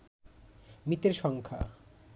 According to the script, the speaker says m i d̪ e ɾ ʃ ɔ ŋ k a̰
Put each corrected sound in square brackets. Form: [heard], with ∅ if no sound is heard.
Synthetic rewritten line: m i [t̪] e ɾ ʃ ɔ ŋ [kʰ] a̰

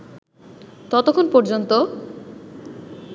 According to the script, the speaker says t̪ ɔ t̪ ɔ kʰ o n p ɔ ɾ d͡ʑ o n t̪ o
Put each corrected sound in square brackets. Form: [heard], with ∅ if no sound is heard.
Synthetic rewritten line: t̪ ɔ t̪ [o] kʰ o n p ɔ ɾ d͡ʑ o n t̪ o

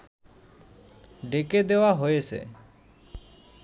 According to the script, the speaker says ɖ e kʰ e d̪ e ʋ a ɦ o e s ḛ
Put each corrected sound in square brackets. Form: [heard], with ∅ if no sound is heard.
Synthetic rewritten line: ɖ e [k] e d̪ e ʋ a ɦ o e s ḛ

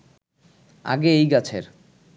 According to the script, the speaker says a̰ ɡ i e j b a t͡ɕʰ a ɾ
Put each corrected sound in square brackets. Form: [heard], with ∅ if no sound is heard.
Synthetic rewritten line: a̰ ɡ [e] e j [ɡ] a t͡ɕʰ [e] ɾ

